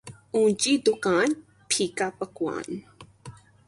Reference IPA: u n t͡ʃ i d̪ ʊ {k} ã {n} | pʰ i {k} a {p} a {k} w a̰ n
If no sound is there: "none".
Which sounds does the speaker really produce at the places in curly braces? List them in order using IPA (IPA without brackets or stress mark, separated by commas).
k, n, k, p, k